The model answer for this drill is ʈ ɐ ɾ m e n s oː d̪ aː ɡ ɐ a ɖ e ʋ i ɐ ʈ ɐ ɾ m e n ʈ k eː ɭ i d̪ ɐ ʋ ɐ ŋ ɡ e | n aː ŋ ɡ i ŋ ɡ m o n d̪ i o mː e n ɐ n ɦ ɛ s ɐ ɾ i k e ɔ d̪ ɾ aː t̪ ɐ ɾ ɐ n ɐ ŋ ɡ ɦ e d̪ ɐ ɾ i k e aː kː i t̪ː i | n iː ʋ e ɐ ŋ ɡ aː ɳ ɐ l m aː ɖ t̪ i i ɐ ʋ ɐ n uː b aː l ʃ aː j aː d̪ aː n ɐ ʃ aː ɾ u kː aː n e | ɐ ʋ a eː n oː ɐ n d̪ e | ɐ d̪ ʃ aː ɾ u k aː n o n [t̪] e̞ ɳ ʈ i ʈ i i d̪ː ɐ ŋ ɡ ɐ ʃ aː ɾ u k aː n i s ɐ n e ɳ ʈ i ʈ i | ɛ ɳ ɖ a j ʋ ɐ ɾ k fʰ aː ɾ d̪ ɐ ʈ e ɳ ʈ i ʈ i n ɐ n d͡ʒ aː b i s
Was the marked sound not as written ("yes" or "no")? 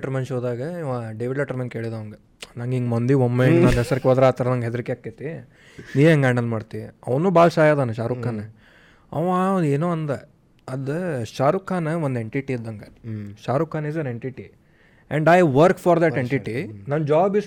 yes